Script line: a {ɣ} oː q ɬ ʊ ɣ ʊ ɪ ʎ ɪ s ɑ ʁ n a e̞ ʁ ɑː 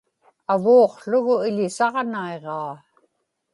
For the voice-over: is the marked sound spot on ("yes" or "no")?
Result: no